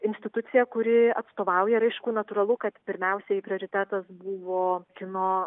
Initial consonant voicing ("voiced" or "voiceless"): voiced